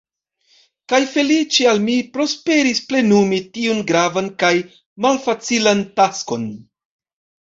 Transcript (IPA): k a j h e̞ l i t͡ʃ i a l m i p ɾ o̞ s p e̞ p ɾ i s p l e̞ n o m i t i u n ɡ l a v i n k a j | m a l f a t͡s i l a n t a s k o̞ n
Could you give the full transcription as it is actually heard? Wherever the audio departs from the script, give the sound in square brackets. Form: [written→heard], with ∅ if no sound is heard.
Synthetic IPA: k a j [h→f] e̞ l i t͡ʃ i a l m i p ɾ o̞ s p e̞ [p→∅] ɾ i s p l e̞ n [o→u] m i t i u n ɡ [l→ɾ] a v [i→a] n k a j | m a l f a t͡s i l a n t a s k o̞ n